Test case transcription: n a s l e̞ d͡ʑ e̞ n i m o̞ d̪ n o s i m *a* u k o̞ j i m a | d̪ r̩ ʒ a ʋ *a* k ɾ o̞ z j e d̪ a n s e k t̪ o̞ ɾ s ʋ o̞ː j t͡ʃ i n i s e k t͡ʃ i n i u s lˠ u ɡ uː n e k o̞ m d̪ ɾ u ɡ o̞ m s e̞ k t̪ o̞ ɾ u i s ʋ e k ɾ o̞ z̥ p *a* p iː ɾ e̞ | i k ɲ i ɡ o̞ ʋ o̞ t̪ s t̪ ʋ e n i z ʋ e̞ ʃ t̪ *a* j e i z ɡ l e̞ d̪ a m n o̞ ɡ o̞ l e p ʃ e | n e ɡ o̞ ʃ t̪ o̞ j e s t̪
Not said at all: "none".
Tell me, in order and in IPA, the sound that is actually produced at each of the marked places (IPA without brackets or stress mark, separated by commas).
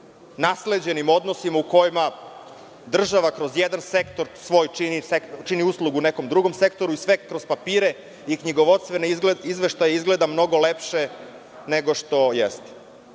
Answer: a, a, a, a